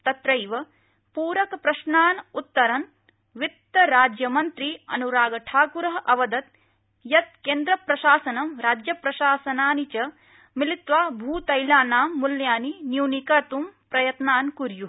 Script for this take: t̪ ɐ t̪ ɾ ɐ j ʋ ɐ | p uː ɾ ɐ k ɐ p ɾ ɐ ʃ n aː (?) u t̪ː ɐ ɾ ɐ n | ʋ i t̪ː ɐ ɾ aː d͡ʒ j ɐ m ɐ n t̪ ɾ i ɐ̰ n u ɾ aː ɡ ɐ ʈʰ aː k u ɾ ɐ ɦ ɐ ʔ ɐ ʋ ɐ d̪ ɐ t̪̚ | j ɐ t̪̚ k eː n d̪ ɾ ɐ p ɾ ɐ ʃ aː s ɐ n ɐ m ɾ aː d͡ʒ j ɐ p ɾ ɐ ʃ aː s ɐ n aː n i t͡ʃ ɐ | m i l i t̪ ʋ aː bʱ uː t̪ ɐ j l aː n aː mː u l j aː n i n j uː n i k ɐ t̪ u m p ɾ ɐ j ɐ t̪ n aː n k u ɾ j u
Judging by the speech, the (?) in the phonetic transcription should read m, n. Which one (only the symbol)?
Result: n